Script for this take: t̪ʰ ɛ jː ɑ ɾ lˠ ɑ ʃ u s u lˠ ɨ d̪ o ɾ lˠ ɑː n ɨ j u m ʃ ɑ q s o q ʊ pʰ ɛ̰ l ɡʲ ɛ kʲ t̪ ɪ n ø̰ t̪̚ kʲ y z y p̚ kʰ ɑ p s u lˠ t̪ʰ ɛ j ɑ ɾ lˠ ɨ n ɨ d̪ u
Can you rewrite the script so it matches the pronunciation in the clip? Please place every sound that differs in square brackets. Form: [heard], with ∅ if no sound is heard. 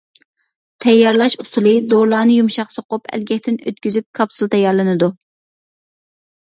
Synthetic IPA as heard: t̪ʰ ɛ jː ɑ ɾ lˠ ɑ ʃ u s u lˠ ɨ d̪ o ɾ lˠ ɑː n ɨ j u m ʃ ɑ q s o q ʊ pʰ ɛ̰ l ɡʲ ɛ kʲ t̪ ɪ n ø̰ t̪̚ kʲ y z y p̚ kʰ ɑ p s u lˠ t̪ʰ ɛ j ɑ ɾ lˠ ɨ n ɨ d̪ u